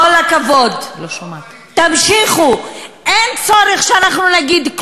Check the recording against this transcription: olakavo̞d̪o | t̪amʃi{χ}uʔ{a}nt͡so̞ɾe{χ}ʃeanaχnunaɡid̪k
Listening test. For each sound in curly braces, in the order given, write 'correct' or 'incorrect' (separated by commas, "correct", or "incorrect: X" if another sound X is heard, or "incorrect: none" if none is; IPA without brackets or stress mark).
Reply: correct, incorrect: e, correct